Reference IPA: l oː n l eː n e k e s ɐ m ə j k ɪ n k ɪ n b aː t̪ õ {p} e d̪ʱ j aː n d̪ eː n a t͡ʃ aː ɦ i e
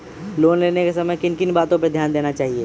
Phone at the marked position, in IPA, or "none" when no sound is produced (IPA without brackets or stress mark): p